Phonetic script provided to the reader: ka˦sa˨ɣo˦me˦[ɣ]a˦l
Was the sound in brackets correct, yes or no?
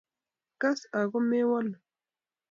no